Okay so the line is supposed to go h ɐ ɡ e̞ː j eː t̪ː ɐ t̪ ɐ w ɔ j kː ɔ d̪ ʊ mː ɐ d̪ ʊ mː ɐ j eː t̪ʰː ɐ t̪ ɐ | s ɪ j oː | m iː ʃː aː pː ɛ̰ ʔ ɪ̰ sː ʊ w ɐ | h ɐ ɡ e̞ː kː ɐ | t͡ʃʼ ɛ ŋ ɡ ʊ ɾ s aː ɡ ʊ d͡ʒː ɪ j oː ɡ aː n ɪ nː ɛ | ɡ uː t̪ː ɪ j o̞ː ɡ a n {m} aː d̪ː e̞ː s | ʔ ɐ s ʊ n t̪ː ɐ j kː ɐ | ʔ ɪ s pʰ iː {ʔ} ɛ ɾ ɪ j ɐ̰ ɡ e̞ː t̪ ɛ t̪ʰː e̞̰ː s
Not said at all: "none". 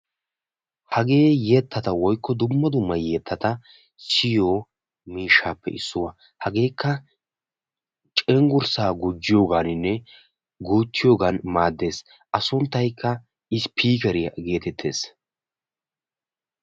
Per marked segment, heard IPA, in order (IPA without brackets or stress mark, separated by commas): m, k